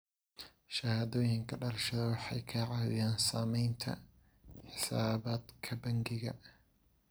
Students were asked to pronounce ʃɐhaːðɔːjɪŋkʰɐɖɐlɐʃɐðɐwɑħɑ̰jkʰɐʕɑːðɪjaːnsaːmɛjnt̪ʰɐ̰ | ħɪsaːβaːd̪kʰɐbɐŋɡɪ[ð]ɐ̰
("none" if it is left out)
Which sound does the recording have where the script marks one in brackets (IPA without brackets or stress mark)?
ɣ